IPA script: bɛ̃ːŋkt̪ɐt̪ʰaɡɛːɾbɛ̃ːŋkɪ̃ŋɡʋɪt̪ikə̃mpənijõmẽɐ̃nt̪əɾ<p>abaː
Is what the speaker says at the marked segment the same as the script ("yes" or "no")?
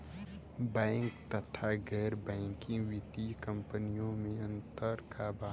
no